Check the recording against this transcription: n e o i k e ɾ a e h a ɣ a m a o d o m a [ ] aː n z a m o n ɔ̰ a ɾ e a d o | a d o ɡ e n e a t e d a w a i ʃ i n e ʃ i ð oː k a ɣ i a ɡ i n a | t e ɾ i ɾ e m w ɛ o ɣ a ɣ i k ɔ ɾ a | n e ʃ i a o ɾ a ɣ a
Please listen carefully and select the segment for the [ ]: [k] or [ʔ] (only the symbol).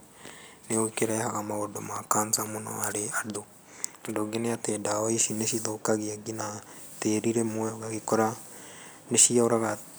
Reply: k